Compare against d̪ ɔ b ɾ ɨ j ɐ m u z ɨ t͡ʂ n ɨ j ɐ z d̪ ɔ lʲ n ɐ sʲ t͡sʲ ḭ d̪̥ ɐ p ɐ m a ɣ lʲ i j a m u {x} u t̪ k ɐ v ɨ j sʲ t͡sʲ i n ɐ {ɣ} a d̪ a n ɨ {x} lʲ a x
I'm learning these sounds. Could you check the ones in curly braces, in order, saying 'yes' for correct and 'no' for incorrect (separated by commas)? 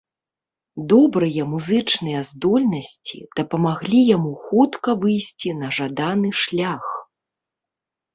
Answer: yes, no, no